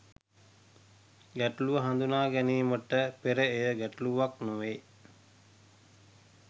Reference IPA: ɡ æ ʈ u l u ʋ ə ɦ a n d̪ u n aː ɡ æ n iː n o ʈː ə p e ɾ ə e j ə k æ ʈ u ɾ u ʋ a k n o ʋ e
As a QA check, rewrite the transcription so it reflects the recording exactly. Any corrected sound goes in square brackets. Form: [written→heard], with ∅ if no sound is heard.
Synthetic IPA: ɡ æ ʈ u l u ʋ ə ɦ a n d̪ u n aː ɡ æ n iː [n→m] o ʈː ə p e ɾ ə e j ə [k→ɡ] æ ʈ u [ɾ→l] u ʋ a k n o ʋ e